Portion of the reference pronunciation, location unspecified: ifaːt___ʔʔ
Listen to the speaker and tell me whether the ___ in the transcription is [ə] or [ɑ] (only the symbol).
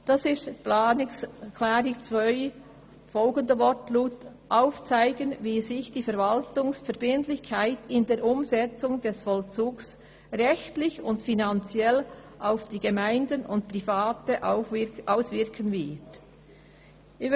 ə